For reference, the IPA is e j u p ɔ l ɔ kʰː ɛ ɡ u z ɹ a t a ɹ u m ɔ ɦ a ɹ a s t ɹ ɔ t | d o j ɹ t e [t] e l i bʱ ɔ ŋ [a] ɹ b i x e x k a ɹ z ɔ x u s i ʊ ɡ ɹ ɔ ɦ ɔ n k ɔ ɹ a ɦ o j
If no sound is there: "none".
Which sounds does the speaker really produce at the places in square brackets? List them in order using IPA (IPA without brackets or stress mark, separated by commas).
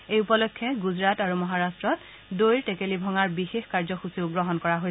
k, a